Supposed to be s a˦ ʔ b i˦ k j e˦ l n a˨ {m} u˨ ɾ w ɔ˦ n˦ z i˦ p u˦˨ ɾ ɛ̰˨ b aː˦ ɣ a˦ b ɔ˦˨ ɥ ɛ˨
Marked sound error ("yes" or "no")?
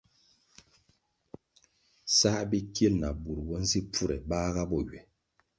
yes